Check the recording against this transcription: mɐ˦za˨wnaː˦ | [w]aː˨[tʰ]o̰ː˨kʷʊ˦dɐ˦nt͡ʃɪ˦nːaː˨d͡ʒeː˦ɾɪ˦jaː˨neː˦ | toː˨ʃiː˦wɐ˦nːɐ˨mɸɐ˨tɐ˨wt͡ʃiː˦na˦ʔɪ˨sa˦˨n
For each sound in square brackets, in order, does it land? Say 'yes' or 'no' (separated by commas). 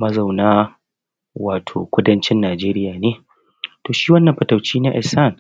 yes, yes